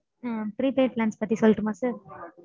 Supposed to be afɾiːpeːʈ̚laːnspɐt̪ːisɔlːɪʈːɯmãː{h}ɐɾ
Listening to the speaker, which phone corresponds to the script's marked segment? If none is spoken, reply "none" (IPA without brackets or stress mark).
s